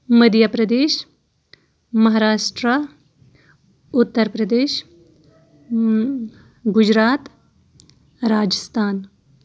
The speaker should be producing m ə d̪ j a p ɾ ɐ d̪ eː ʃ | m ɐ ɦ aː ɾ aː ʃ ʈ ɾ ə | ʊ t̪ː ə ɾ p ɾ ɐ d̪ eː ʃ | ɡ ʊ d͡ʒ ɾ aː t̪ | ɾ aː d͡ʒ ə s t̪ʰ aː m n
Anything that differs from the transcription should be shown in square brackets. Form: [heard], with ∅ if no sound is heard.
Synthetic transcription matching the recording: m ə d̪ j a p ɾ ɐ d̪ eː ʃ | m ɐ ɦ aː ɾ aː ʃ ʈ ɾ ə | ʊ t̪ː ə ɾ p ɾ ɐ d̪ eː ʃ | ɡ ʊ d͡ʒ ɾ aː t̪ | ɾ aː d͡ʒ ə s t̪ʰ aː [∅] n